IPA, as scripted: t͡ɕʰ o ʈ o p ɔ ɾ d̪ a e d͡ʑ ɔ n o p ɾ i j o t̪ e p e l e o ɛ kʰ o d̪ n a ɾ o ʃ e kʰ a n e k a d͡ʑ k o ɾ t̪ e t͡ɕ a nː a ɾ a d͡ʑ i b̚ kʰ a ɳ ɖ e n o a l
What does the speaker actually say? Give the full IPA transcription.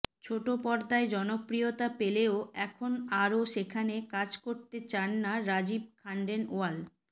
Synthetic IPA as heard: t͡ɕʰ o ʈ o p ɔ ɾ d̪ a e d͡ʑ ɔ n o p ɾ i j o t̪ a p e l e o ɛ kʰ o n a ɾ o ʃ e kʰ a n e k a d͡ʑ k o ɾ t̪ e t͡ɕ a nː a ɾ a d͡ʑ i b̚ kʰ a ɳ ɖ e n o a l